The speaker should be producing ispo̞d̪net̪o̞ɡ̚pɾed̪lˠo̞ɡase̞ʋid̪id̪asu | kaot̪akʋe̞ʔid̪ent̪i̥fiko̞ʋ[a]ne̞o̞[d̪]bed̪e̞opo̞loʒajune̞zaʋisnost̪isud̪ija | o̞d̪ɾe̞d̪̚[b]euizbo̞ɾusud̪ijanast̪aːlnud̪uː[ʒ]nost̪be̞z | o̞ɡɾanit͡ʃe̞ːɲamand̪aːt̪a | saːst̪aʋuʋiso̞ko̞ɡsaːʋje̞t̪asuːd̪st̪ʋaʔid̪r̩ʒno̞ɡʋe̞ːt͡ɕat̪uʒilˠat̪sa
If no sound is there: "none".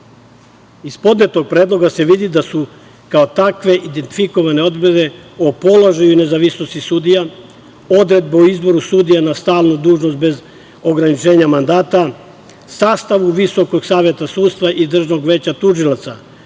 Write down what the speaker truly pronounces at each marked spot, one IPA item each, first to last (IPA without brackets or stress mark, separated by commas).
a, d̪, b, ʒ